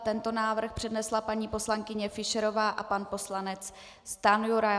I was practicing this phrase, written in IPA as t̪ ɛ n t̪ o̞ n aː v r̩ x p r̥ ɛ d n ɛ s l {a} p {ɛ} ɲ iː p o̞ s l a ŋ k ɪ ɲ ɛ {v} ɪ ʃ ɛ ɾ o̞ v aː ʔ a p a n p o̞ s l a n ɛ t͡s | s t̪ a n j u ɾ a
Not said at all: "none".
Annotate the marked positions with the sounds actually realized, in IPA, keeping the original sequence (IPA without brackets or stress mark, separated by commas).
a, a, f